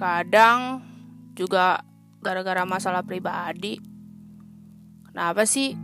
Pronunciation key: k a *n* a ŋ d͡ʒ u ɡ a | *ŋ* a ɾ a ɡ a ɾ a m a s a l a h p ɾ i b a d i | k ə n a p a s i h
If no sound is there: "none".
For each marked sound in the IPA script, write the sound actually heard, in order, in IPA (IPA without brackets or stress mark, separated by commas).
d, ɡ